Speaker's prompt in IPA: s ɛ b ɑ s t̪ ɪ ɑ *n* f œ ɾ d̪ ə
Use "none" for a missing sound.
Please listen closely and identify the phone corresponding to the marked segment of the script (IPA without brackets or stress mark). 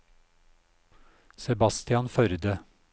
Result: n